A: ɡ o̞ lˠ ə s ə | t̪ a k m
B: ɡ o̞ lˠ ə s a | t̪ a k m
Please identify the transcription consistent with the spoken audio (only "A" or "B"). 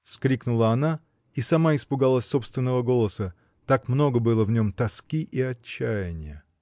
A